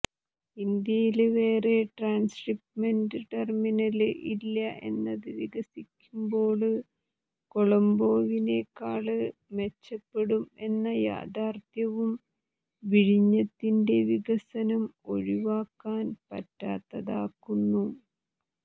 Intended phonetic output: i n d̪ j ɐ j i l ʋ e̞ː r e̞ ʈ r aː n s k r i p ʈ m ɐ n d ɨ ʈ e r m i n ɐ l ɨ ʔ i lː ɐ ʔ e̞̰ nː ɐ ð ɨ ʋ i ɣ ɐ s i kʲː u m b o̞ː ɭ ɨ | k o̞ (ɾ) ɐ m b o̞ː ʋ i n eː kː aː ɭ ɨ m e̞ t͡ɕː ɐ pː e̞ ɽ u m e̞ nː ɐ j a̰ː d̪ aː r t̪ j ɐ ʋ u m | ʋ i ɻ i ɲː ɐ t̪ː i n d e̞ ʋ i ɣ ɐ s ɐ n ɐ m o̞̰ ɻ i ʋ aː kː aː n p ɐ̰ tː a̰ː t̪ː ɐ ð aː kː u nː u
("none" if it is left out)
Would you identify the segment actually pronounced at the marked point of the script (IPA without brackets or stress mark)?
ɭ